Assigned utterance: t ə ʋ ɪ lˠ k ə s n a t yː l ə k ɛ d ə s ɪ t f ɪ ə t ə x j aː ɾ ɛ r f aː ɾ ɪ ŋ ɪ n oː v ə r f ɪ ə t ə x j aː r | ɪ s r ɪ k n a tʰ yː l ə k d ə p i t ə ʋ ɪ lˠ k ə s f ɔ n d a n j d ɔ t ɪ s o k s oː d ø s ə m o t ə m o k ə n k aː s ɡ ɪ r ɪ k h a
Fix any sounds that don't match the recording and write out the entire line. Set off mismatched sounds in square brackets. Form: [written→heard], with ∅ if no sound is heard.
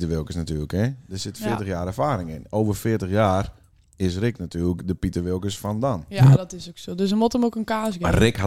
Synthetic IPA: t ə ʋ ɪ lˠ k ə s n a t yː l ə k ɛ d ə s ɪ t f ɪ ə t ə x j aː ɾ ɛ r f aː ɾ ɪ ŋ ɪ n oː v ə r f ɪ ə t ə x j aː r | ɪ s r ɪ k n a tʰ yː l ə k d ə p i t ə ʋ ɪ lˠ k ə s f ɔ n d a n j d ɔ t ɪ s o k s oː d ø s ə m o t ə m o k ə n k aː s ɡ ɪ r ɪ k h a